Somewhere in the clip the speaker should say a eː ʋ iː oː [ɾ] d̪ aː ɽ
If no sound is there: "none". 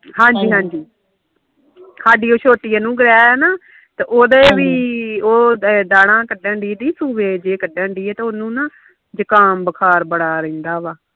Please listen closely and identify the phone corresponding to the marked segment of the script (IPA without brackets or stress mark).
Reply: none